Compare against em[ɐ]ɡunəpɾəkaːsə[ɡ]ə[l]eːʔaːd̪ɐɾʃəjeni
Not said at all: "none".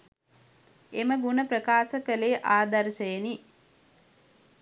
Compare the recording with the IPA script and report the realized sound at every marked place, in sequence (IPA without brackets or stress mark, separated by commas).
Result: ə, k, l